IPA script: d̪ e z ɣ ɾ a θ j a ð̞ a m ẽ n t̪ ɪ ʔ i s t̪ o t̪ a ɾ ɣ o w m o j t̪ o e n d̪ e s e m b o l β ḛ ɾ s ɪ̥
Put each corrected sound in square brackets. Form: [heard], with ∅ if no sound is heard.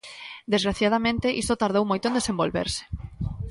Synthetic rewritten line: d̪ e z ɣ ɾ a θ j a ð̞ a m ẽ n t̪ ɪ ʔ i s t̪ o t̪ a ɾ [ð] o w m o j t̪ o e n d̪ e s e m b o l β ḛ ɾ s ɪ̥

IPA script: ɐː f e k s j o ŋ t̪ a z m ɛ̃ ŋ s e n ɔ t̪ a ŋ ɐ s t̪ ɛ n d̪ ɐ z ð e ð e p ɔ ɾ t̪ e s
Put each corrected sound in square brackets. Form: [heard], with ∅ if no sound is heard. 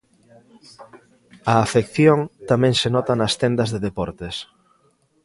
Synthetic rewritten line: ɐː f e k [θ] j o ŋ t̪ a [∅] m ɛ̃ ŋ s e n ɔ t̪ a [n] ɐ s t̪ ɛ n d̪ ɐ z ð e ð e p ɔ ɾ t̪ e s

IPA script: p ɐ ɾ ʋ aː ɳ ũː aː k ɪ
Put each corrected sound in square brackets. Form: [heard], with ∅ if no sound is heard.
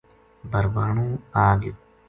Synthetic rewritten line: [b] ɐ ɾ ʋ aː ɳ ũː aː [ɡ] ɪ

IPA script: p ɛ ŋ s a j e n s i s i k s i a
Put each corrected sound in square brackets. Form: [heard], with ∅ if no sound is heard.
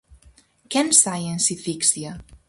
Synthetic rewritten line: [k] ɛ [n] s a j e n s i [f] i k s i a

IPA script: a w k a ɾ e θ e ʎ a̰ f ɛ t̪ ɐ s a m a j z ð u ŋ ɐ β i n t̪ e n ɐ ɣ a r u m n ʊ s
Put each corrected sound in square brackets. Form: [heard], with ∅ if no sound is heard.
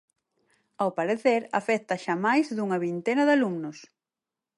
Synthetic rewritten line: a w [p] a ɾ e θ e [ɾ] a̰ f ɛ t̪ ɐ [ʃ] a m a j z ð u ŋ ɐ β i n t̪ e n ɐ [ð] a [l] u m n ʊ s

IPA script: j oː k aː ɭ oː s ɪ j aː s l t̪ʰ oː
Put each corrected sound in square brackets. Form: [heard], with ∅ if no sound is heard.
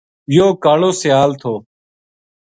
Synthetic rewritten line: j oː k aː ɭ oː s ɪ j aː [∅] l t̪ʰ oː

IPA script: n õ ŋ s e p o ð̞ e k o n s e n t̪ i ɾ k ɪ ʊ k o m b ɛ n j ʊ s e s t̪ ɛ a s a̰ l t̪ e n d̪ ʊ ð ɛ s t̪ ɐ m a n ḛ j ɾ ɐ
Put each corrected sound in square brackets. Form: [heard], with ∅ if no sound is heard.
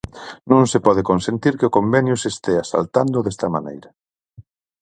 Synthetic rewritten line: n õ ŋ s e p [ɔ] ð̞ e k o n s e n t̪ i ɾ k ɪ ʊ k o m b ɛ n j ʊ s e s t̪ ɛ a s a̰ l t̪ [a] n d̪ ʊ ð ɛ s t̪ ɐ m a n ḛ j ɾ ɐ

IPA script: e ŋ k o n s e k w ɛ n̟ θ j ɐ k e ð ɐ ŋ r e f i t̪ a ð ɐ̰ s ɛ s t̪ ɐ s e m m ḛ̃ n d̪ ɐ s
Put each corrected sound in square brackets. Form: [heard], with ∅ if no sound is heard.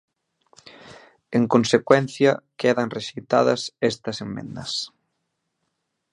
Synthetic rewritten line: e ŋ k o n s e k w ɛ n̟ θ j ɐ k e ð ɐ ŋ r e [ʃ] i t̪ a ð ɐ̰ s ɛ s t̪ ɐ s e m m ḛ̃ n d̪ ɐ s

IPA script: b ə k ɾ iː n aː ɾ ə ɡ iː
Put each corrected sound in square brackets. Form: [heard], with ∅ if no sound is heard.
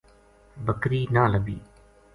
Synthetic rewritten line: b ə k ɾ iː n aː [l] ə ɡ iː

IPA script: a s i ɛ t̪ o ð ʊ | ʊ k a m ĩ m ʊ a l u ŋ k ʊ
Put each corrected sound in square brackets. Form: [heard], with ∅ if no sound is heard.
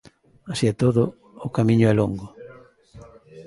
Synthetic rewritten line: a s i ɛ t̪ o ð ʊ | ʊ k a m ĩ [ɲ] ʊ [ɛ] l [o] ŋ [ɡ] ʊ

